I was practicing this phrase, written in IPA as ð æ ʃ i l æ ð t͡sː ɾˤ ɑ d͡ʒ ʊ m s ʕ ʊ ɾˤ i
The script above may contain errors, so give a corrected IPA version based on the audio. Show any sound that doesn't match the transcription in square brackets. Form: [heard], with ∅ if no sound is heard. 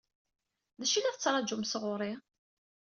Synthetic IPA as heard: ð æ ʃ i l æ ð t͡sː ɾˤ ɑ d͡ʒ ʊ m s [ʁ] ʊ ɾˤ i